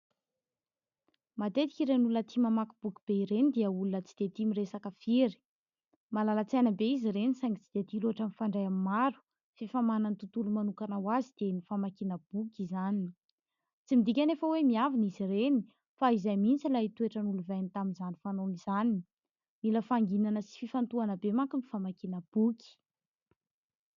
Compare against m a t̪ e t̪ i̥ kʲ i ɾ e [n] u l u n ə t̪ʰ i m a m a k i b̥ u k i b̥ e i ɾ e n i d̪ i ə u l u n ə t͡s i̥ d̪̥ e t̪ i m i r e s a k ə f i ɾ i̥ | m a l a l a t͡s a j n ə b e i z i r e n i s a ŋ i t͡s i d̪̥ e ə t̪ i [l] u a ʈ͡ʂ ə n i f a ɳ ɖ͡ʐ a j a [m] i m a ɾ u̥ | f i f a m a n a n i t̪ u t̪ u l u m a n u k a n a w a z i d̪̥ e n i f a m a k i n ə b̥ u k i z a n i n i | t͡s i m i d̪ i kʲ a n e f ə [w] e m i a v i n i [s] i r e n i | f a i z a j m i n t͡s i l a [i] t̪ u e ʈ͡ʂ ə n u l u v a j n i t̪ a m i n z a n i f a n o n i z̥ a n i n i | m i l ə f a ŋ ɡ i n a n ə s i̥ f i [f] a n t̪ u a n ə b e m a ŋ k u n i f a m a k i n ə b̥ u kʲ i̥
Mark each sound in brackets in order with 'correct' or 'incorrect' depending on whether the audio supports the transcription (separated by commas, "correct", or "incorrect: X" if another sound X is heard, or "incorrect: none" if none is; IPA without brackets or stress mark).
correct, correct, correct, correct, incorrect: z, correct, correct